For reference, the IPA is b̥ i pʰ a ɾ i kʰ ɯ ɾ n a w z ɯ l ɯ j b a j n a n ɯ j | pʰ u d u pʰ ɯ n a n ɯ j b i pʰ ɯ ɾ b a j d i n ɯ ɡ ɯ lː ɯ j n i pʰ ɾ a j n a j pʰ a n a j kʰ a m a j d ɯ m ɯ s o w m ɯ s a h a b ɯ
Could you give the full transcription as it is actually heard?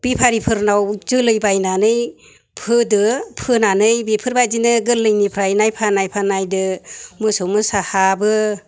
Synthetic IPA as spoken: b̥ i pʰ a ɾ i pʰ ɯ ɾ n a w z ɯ l ɯ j b a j n a n ɯ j | pʰ ɯ d ɯ pʰ ɯ n a n ɯ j b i pʰ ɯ ɾ b a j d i n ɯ ɡ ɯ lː ɯ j n i pʰ ɾ a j n a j pʰ a n a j pʰ a n a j d ɯ m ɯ s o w m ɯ s a h a b ɯ

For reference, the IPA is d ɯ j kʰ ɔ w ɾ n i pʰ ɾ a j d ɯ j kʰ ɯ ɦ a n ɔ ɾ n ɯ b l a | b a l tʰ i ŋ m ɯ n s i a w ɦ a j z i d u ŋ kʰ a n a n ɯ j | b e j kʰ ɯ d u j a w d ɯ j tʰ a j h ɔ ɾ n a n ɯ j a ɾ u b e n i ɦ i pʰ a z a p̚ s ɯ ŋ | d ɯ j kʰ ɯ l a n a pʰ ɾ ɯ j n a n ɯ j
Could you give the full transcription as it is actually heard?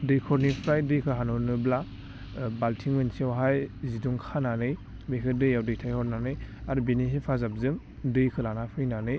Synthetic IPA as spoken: d ɯ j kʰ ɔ ɾ n i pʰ ɾ a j d ɯ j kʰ ɯ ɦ a n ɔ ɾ n ɯ b l a | b a l tʰ i ŋ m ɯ n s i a w ɦ a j z i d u ŋ kʰ a n a n ɯ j | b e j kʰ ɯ d ɯ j a w d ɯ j tʰ a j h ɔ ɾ n a n ɯ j a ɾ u b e n i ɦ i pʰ a z a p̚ z ɯ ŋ | d ɯ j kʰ ɯ l a n a pʰ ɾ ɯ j n a n ɯ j

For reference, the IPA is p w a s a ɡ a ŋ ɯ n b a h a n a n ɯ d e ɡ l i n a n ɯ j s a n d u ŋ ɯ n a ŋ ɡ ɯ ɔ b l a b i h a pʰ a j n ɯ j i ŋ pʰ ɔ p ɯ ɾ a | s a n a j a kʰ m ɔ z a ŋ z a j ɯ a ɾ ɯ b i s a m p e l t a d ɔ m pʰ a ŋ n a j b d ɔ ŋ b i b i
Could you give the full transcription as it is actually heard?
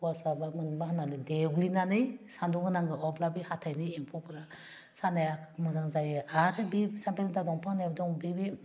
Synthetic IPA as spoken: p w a s a b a m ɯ n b a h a n a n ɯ d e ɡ l i n a n ɯ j s a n d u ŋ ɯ n a ŋ ɡ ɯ ɔ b l a b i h a tʰ a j n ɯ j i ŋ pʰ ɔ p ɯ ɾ a | s a n a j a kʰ m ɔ z a ŋ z a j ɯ a ɾ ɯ b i s a m p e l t a d ɔ ŋ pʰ a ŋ n a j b d ɔ ŋ b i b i

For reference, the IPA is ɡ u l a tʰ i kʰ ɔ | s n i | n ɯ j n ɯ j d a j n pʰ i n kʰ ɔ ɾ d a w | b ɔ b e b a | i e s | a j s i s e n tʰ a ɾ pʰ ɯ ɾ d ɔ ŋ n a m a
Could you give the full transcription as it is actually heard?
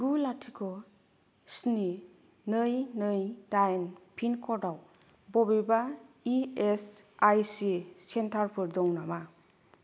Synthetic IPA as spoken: ɡ u l a tʰ i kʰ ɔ | s n i | n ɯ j n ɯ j d a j n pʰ i n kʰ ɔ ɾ d a w | b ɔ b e b a | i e s | a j s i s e n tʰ a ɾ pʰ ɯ ɾ d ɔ ŋ n a m a

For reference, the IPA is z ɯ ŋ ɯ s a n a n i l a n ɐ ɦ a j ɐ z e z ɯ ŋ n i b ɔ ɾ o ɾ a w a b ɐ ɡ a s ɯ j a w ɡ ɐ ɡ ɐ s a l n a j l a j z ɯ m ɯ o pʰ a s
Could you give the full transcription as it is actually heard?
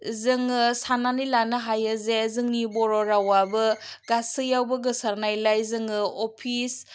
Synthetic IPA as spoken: z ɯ ŋ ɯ s a n a n i l a n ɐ ɦ a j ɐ z e z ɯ ŋ n i b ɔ ɾ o ɾ a w a b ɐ ɡ a s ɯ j a w b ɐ ɡ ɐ s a ɾ n a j l a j z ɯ ŋ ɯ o pʰ i s

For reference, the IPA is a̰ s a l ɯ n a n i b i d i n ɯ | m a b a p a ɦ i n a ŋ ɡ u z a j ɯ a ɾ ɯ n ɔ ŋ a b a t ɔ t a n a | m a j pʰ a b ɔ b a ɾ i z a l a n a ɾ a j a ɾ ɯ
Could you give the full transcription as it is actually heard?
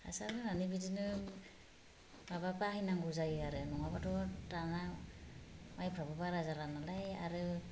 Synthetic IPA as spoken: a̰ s a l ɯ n a n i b i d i n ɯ | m a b a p a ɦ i n a ŋ ɡ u z a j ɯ a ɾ ɯ n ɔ ŋ a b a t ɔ t a n a | m a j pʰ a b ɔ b a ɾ a z a l a n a l a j a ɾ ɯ

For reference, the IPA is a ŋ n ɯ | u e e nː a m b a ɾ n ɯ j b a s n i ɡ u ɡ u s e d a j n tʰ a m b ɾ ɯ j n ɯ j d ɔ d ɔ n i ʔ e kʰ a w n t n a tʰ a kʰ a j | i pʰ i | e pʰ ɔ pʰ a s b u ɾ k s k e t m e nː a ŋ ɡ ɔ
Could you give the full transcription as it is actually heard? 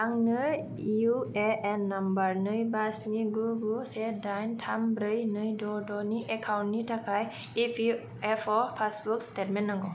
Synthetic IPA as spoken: a ŋ n ɯ | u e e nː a m b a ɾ n ɯ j b a s n i ɡ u ɡ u s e d a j n tʰ a m b ɾ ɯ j n ɯ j d ɔ d ɔ n i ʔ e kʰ a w n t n i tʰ a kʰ a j | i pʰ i | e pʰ ɔ pʰ a s b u k s t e t m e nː a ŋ ɡ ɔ

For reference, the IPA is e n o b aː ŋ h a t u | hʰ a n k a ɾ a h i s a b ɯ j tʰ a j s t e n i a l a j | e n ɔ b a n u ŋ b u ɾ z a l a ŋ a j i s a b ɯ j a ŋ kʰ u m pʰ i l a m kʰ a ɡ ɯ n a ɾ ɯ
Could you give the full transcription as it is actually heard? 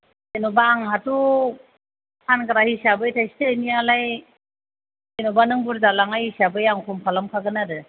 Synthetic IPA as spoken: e n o b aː ŋ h a t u | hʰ a n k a ɾ a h i s a b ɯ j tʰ a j s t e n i a l a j | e n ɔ b a n ɯ ŋ b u ɾ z a l a ŋ a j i s a b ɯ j a ŋ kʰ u m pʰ a l a m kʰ a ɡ ɯ n a ɾ ɯ

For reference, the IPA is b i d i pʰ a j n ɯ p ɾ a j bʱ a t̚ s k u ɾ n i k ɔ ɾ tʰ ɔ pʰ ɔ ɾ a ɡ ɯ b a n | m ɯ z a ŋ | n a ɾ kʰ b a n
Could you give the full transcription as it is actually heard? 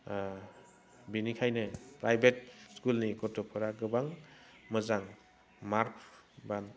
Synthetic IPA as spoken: b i n i kʰ a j n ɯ p ɾ a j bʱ e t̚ s k u l n i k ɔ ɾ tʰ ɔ pʰ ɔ ɾ a ɡ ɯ b a ŋ | m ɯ z a ŋ | m a ɾ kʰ b a n

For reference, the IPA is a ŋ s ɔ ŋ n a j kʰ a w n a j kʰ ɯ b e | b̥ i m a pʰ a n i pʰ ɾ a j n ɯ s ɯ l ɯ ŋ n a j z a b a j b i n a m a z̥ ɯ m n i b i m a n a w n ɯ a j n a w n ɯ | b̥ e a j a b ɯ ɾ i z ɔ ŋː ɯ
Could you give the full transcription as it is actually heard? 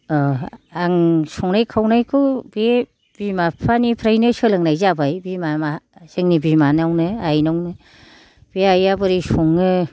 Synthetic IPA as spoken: a ŋ s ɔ ŋ n a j kʰ a w n a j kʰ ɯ b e | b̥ i m a pʰ a n i pʰ ɾ a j n ɯ s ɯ l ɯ ŋ n a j z a b a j b i m a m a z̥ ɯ ŋ n i b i m a n a w n ɯ a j n a w n ɯ | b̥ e a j a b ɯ ɾ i s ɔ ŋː ɯ

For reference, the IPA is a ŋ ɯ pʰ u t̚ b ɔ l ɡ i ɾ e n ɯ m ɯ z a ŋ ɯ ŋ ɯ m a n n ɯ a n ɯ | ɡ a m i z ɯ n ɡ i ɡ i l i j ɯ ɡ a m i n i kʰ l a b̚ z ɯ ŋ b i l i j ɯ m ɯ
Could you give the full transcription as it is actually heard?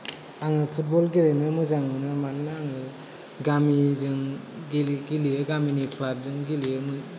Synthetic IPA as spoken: a ŋ ɯ pʰ u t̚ b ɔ l ɡ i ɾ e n ɯ m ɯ z a ŋ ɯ n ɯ m a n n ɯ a ŋ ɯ | ɡ a m i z ɯ ŋ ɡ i ɡ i l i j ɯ ɡ a m i n i kʰ l a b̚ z ɯ ŋ ɡ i l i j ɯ m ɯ

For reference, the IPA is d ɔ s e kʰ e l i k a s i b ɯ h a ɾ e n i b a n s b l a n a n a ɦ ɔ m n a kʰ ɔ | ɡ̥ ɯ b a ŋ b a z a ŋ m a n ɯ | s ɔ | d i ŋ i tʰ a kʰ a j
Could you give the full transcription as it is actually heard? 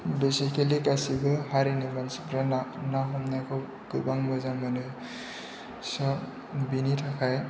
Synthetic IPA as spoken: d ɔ s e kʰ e l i k a s i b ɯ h a ɾ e n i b a n s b ɾ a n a n a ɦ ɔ m n a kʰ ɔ | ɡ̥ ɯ b a ŋ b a z a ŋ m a n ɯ | s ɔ | b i n i tʰ a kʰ a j

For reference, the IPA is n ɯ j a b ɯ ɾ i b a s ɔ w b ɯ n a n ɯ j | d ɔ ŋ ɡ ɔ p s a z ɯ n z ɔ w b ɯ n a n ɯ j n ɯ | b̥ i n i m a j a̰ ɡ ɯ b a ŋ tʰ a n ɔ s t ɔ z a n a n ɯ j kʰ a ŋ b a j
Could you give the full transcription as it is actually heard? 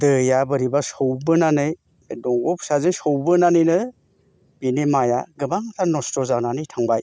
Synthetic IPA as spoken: d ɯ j a b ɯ ɾ i b a s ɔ w b ɯ n a n ɯ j | d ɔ ŋ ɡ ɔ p s a z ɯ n s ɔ w b ɯ n a n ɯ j n ɯ | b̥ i n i m a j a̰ ɡ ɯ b a ŋ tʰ a n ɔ s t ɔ z a n a n ɯ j tʰ a ŋ b a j

